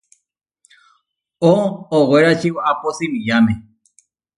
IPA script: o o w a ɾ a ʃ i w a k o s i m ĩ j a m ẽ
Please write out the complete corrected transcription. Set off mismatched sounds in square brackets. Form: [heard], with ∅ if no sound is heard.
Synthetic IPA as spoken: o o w [e] ɾ a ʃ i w a [p] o s i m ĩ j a m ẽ